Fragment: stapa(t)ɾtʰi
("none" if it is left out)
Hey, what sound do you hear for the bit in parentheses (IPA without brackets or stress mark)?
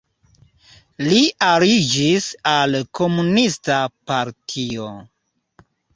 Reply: none